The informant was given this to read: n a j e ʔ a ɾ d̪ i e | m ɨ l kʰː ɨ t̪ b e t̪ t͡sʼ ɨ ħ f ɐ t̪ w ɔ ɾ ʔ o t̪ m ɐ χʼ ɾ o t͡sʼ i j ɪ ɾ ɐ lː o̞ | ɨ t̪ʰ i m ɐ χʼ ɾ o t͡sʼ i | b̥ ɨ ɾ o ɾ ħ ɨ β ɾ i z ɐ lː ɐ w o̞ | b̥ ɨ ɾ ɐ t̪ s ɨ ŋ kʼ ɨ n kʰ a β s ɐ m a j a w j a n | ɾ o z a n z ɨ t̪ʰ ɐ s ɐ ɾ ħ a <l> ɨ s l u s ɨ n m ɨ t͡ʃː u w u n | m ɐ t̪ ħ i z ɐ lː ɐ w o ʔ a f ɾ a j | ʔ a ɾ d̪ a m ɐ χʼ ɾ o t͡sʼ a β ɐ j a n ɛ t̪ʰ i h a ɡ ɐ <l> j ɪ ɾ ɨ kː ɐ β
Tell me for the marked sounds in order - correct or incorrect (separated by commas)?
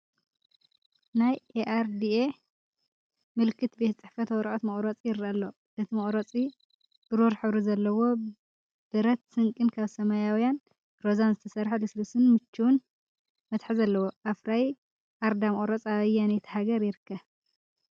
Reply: correct, incorrect